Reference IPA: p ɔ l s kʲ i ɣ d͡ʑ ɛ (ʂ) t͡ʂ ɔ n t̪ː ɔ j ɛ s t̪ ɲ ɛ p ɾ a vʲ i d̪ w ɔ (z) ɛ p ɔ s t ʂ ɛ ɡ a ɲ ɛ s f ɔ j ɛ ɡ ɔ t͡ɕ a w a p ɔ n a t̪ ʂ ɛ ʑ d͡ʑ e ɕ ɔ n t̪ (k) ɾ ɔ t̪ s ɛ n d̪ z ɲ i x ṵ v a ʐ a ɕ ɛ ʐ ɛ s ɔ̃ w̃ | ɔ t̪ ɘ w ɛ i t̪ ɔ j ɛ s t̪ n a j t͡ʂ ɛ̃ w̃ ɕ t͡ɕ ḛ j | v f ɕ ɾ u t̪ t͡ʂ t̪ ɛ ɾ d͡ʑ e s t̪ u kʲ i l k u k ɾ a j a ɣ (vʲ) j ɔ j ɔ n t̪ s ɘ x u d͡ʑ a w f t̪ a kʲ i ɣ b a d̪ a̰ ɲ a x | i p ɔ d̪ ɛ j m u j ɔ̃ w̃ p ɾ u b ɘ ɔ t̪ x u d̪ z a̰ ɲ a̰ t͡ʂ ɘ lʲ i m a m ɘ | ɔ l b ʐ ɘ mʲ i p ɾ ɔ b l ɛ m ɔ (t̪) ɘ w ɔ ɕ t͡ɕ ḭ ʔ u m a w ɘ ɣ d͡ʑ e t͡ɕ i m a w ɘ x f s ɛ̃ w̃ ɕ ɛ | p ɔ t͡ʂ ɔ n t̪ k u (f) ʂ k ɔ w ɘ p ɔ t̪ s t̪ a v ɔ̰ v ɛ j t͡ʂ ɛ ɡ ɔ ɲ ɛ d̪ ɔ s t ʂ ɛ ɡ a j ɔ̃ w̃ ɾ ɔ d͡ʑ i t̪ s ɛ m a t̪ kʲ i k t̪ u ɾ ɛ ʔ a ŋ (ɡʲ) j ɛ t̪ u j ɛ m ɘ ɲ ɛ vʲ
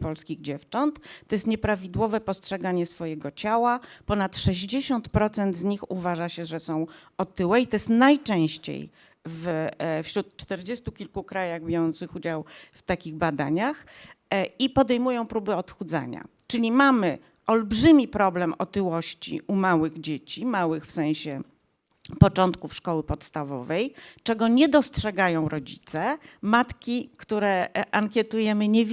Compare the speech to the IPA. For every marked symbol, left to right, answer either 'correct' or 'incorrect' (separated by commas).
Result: incorrect, incorrect, incorrect, incorrect, correct, correct, incorrect